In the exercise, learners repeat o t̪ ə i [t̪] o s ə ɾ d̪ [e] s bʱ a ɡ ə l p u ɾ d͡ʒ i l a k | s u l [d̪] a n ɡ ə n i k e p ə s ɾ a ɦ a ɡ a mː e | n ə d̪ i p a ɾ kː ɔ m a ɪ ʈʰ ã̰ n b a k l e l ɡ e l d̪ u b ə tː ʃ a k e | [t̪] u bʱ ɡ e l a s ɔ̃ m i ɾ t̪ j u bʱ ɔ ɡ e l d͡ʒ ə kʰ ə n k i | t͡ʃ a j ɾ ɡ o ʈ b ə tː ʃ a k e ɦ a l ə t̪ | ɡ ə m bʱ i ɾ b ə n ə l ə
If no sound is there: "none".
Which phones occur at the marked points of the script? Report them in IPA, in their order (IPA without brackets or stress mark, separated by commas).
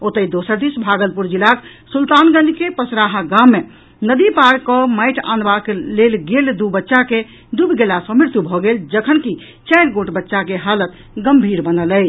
d̪, i, t̪, d̪